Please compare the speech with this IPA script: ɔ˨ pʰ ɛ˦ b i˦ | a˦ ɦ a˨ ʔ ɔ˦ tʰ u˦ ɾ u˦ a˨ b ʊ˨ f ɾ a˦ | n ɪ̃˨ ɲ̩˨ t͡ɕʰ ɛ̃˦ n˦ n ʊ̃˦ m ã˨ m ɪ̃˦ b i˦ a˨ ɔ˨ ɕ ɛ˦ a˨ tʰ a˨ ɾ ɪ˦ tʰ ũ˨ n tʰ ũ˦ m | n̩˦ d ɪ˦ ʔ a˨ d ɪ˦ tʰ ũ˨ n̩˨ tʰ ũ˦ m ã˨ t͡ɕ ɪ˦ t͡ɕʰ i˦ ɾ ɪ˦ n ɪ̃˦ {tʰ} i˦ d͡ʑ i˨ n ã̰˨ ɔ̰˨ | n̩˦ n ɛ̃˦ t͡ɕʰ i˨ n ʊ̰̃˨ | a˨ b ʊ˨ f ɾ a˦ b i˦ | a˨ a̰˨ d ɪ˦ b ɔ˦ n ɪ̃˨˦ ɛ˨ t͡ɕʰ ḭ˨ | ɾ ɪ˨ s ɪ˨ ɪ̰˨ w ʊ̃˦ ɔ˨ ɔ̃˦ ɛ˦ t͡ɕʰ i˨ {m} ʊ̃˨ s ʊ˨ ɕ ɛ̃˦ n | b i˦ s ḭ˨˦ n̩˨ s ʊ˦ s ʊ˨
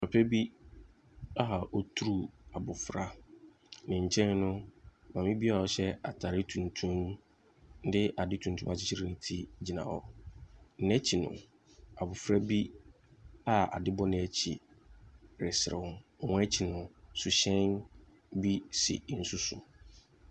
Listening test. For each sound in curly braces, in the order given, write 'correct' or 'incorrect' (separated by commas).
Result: correct, incorrect